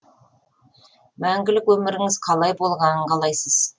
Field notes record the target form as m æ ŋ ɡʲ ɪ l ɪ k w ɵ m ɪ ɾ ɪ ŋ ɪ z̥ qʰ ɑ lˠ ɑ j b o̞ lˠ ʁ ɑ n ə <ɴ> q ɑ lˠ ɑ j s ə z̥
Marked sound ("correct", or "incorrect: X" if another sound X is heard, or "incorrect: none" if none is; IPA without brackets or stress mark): correct